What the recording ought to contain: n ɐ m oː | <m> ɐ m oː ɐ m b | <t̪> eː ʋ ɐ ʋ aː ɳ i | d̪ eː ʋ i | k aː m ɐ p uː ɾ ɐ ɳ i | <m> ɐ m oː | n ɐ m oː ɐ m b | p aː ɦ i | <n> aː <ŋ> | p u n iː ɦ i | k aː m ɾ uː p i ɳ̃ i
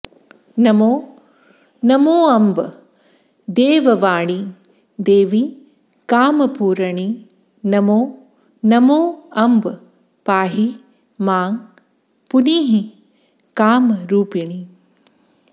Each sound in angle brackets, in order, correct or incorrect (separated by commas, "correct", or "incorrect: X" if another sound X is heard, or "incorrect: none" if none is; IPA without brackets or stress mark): incorrect: n, incorrect: d̪, incorrect: n, incorrect: m, correct